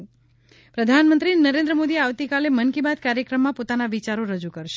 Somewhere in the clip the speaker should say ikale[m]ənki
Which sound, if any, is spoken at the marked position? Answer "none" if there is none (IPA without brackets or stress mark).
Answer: m